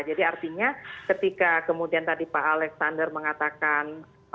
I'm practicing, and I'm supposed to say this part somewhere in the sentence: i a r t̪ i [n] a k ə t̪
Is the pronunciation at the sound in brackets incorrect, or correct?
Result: incorrect